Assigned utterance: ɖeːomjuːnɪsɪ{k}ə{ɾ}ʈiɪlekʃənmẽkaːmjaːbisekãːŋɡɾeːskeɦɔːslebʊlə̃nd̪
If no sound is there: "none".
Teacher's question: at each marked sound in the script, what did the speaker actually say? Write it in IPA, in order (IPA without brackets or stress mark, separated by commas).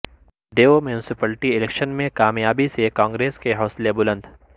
p, l